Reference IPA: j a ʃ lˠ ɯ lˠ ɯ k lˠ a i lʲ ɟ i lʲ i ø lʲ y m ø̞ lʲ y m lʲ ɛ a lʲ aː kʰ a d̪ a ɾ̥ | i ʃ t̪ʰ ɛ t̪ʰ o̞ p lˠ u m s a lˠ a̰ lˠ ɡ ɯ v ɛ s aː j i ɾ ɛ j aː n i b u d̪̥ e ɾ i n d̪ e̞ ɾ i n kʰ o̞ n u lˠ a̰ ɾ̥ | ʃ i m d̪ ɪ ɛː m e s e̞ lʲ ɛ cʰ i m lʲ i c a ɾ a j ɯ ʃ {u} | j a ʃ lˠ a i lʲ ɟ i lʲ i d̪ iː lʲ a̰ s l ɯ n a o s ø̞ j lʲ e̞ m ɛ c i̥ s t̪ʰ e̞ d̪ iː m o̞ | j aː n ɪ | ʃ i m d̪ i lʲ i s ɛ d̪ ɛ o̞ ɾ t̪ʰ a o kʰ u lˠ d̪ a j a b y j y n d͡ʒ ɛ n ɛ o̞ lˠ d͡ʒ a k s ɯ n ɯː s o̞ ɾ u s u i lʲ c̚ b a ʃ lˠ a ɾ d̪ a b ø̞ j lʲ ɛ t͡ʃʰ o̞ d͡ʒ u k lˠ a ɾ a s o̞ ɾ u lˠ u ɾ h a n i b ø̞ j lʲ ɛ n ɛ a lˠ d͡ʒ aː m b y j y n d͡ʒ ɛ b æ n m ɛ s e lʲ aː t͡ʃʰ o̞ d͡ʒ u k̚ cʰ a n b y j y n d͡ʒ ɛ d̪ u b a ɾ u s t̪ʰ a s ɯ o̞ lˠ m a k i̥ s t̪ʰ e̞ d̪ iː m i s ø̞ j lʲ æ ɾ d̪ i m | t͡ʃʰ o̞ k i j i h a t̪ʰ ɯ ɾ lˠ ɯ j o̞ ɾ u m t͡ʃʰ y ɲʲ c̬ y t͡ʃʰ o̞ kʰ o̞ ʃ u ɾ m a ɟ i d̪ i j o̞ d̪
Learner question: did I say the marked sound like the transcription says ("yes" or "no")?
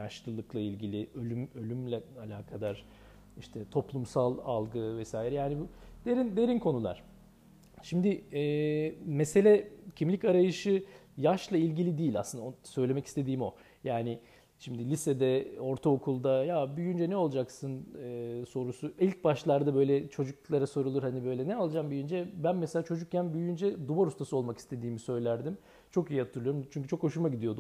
no